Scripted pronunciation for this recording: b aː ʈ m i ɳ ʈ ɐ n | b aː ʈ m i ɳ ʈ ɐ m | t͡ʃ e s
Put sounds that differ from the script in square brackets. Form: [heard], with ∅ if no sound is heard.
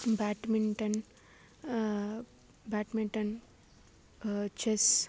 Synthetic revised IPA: b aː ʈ m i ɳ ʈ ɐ n | b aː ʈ m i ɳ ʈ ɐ [n] | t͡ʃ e s